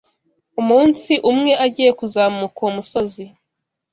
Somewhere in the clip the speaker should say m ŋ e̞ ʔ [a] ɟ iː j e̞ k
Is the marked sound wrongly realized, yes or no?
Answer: no